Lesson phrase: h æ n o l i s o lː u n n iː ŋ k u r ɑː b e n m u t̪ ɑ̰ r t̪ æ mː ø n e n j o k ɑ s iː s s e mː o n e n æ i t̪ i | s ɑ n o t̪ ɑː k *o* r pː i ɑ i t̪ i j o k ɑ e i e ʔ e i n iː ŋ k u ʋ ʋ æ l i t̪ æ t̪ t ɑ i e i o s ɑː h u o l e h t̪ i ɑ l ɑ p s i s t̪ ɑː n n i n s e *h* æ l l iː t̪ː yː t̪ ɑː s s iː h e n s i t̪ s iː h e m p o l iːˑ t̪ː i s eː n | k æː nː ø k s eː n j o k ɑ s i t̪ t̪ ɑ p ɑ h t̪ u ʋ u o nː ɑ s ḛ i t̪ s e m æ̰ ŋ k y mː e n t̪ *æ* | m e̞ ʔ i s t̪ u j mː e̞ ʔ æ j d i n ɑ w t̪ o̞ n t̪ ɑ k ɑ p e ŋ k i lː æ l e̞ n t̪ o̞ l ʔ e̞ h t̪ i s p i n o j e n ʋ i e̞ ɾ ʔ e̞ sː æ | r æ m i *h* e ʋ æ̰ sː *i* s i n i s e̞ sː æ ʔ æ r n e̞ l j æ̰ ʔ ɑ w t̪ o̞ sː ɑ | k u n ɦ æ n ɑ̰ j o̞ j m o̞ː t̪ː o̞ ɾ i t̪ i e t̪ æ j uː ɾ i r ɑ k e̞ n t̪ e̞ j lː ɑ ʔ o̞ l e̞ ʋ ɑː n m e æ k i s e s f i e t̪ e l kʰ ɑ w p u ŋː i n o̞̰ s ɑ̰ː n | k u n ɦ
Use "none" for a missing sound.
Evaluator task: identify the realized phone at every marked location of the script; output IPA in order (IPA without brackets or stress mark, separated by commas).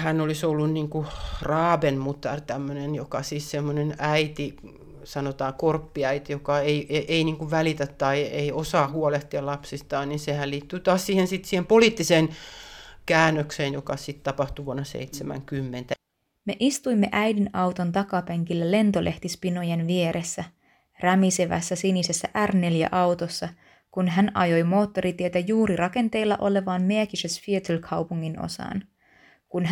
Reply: o, h, æ, s, æ